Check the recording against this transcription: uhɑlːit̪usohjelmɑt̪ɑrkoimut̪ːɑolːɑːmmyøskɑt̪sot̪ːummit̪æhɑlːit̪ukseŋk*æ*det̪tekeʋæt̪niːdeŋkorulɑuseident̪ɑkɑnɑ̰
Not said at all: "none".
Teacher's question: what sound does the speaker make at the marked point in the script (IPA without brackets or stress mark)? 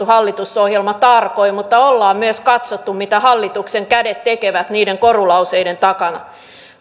æ